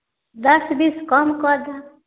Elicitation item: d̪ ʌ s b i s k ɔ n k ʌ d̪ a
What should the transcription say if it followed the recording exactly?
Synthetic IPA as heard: d̪ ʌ s b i s k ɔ m k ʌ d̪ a